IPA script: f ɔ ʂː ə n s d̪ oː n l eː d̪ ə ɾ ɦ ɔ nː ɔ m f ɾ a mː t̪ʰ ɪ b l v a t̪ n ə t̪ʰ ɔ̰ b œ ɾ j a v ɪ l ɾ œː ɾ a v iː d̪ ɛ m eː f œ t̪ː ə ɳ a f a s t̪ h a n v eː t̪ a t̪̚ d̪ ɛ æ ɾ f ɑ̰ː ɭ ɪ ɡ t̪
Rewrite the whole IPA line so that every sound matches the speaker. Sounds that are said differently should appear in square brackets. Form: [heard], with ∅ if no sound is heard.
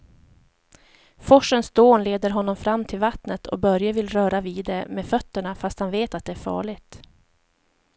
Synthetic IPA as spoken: f ɔ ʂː ə n s d̪ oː n l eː d̪ ə ɾ ɦ ɔ nː ɔ m f ɾ a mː t̪ʰ ɪ [∅] l v a t̪ n ə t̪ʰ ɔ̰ b œ ɾ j a v ɪ l ɾ œː ɾ a v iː d̪ ɛ m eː f œ t̪ː ə ɳ a f a s t̪ h a n v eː t̪ a t̪̚ d̪ ɛ æ ɾ f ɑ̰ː ɭ ɪ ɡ t̪